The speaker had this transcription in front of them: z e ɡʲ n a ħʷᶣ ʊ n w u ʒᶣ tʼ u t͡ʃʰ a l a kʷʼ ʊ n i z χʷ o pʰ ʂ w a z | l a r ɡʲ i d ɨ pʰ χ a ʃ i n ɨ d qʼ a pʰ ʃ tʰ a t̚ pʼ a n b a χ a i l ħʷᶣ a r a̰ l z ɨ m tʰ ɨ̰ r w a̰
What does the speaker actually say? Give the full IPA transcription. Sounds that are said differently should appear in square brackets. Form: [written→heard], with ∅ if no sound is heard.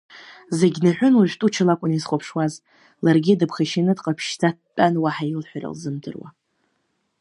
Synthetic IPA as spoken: z e ɡʲ n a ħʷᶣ ʊ n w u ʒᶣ tʼ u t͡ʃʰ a l a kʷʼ ʊ n i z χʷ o pʰ ʂ w a z | l a r ɡʲ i d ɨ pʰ χ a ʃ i n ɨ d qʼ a pʰ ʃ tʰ a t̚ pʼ a n [b→w] a [χ→ħ] a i l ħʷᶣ a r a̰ l z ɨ m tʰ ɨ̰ r w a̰